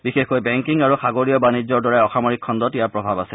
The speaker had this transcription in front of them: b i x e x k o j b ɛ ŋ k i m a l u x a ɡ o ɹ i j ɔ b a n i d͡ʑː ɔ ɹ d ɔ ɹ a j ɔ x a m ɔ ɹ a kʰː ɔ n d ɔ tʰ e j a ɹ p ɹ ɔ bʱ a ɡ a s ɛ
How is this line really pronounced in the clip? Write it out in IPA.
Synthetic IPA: b i x e x k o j b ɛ ŋ k i ŋ a ɹ u x a ɡ o ɹ i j ɔ b a n i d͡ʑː ɔ ɹ d ɔ ɹ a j ɔ x a m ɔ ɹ i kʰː ɔ n d ɔ t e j a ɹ p ɹ ɔ bʱ a b a s ɛ